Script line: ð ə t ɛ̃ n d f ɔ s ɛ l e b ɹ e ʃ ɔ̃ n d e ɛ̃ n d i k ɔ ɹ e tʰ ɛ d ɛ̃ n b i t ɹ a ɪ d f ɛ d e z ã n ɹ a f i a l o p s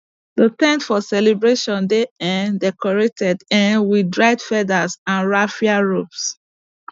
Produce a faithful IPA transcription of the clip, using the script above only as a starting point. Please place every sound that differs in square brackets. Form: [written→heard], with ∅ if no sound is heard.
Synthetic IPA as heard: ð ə t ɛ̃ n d f ɔ s ɛ l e b ɹ e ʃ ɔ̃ n d e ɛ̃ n d [i→ɛ] k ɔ ɹ e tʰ ɛ d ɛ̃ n [b→w] i [t→d] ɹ a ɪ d f ɛ d [e→a] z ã n ɹ a f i a [l→ɹ] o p s